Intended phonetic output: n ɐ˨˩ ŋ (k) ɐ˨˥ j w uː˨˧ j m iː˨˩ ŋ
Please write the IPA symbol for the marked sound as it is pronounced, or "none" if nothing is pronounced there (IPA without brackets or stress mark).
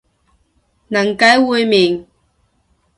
k